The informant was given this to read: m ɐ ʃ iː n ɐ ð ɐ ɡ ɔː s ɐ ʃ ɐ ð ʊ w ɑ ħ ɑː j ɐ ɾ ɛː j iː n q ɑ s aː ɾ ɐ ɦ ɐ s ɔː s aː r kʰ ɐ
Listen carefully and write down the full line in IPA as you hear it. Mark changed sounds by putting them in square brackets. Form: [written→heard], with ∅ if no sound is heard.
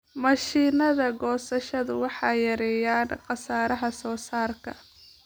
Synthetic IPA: m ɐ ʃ iː n ɐ ð ɐ ɡ ɔː s ɐ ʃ ɐ ð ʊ w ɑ ħ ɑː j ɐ ɾ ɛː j [iː→aː] n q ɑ s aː ɾ ɐ ɦ ɐ s ɔː s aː r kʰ ɐ